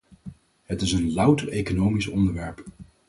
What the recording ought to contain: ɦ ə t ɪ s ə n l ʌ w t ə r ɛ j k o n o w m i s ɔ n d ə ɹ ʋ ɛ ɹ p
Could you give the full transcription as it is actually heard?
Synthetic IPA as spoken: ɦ ə t ɪ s ə n l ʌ w t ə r e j k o n o w m i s ɔ n d ə ɹ ʋ ɛ ɹ p